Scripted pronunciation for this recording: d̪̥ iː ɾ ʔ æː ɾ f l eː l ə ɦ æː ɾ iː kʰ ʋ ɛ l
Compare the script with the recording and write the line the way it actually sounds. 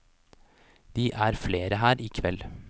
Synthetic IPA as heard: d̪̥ iː ʔ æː ɾ f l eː ɾ ə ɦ æː ɾ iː kʰ ʋ ɛ l